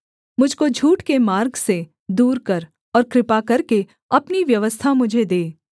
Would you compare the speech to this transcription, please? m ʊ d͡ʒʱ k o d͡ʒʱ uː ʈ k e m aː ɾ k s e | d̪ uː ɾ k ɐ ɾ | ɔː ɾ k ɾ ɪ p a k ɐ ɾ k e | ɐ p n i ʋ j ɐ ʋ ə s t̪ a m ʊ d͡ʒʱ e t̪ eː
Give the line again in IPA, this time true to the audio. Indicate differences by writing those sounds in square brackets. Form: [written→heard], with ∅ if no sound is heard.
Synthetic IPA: m ʊ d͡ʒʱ k o d͡ʒʱ uː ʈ k e m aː ɾ [k→ɡ] s e | d̪ uː ɾ k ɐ ɾ | ɔː ɾ k ɾ ɪ p a k ɐ ɾ k e | ɐ p n i ʋ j ɐ ʋ ə s [t̪→t̪ʰ] a m ʊ d͡ʒʱ e [t̪→d̪] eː